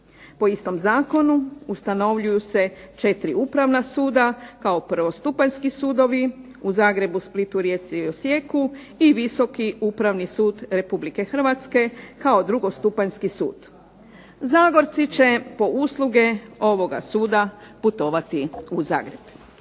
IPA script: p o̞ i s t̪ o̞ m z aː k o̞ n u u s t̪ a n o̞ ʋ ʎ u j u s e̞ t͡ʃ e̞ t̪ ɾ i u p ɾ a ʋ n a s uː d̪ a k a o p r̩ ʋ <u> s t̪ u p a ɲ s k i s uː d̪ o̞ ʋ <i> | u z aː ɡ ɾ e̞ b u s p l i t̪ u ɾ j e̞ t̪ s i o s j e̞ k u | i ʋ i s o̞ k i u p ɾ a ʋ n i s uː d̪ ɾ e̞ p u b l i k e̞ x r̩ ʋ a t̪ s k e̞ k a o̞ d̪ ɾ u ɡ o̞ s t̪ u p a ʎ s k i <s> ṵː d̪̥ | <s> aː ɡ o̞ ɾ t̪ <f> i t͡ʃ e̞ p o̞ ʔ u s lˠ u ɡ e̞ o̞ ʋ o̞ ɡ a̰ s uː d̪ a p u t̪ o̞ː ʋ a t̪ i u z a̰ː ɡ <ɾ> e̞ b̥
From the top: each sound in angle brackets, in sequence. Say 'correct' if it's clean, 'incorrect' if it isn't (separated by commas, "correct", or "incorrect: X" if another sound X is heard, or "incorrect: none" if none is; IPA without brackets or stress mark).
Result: incorrect: o, correct, correct, incorrect: z, incorrect: s, correct